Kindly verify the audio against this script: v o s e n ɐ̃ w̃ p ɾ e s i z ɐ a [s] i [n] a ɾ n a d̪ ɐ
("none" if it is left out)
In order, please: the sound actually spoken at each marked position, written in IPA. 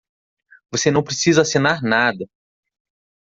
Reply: s, n

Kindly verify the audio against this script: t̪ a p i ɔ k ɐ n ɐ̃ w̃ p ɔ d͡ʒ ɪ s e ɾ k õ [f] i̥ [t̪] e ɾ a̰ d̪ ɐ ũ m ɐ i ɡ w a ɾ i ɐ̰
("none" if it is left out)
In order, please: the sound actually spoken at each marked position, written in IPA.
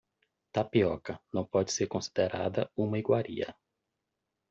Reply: s, d̪

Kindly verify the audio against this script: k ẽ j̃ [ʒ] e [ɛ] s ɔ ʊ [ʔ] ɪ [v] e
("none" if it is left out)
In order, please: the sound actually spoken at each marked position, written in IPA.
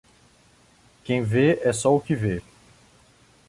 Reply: v, ɛ, k, v

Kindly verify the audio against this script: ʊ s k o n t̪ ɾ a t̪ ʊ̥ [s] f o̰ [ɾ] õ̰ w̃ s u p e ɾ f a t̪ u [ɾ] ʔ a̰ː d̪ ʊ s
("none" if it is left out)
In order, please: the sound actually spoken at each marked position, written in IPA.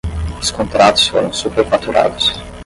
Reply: s, ɾ, ɾ

